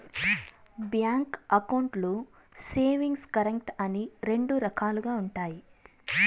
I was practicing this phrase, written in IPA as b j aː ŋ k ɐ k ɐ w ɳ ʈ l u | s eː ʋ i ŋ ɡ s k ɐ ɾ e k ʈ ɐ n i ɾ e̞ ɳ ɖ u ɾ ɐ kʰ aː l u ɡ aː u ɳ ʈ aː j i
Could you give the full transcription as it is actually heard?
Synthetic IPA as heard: b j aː ŋ k ɐ k ɐ w ɳ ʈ l u | s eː ʋ i ŋ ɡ s k ɐ ɾ e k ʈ ɐ n i ɾ e̞ ɳ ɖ u ɾ ɐ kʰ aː l u ɡ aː u ɳ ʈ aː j i